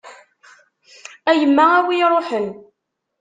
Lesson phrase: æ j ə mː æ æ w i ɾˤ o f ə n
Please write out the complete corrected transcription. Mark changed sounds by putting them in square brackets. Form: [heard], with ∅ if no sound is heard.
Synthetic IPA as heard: æ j ə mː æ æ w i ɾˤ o [ħ] ə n

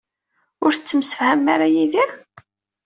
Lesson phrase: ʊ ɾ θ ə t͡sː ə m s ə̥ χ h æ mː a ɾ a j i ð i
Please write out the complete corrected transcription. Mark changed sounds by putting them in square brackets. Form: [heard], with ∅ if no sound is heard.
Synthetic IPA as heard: ʊ ɾ θ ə t͡sː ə m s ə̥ [f] h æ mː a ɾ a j i ð i

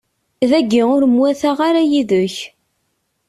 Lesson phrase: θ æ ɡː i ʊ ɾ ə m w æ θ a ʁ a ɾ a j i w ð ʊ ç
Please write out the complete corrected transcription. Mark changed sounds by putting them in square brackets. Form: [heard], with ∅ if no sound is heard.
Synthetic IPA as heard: [ð] æ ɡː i ʊ ɾ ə m w æ θ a ʁ a ɾ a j i [∅] ð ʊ ç

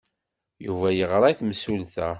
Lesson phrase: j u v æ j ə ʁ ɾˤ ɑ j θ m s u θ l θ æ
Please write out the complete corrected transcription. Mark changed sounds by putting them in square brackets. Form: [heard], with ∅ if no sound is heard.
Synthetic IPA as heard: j u v æ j ə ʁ ɾˤ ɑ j θ m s u [∅] l θ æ

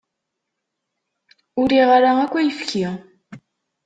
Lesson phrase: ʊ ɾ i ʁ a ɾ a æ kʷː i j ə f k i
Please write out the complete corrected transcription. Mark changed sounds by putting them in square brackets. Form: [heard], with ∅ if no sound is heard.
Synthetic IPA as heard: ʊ ɾ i ʁ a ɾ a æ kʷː [æ] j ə f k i

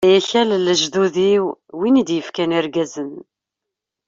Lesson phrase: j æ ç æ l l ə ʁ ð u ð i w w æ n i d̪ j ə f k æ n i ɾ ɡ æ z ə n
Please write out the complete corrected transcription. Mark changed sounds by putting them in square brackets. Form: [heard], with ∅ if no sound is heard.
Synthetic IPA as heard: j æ ç æ l l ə [ʒ] ð u ð i w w [i] n i d̪ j ə f k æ n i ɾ ɡ æ z ə n

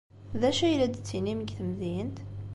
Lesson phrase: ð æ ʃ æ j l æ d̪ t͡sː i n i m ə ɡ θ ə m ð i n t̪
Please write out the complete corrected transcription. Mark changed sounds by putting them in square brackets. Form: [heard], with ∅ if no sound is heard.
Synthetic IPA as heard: ð æ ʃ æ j l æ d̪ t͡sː i n i m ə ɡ θ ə m ð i n t̪

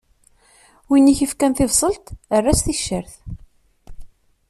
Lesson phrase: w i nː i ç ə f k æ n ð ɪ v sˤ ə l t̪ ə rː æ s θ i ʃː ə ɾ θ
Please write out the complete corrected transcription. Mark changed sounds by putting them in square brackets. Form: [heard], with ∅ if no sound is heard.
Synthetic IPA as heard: w i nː i ç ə f k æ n [θ] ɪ v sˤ ə l t̪ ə rː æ s θ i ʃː ə ɾ θ

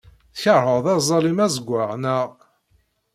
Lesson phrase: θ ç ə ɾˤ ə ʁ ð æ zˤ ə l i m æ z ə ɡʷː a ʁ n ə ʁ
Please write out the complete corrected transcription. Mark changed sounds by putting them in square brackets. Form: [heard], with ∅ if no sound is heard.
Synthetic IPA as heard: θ ç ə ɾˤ ə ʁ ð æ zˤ [ɑ] l i m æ z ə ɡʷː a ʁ n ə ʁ

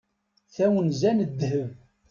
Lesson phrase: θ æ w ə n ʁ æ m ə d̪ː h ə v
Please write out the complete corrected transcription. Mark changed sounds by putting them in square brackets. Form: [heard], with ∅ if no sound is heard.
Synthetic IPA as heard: θ æ w ə n [z] æ [n] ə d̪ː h ə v

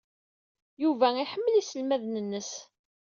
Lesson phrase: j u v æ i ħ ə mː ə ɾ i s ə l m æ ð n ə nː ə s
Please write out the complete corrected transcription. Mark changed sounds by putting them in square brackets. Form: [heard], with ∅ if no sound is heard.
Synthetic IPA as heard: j u v æ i ħ ə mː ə [l] i s ə l m æ ð n ə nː ə s

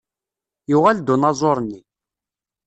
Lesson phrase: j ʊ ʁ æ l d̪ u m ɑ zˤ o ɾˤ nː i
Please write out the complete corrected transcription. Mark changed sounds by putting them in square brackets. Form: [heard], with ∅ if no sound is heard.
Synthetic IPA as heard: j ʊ ʁ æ l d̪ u [n] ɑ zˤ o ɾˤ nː i

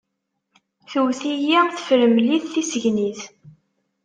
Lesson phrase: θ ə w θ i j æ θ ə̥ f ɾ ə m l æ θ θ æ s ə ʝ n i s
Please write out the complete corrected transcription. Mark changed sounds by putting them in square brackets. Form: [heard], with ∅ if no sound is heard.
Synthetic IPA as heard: θ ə w θ i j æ θ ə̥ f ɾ ə m l [i] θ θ [i] s ə ʝ n i [θ]

